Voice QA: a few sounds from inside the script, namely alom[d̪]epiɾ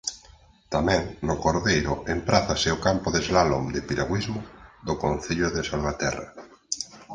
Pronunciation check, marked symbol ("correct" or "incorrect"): correct